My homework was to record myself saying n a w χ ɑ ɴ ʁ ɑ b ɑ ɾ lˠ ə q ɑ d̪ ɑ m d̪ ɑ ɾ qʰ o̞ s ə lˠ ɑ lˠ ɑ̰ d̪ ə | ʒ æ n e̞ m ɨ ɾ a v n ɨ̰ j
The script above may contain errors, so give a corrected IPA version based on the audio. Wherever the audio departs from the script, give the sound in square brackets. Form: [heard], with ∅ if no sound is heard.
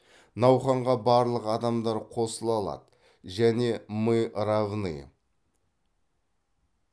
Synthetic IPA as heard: n [ɑ] w χ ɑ ɴ ʁ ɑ b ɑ ɾ lˠ ə q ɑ d̪ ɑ m d̪ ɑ ɾ qʰ o̞ s ə lˠ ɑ lˠ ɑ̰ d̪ ə | ʒ æ n e̞ m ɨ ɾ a v n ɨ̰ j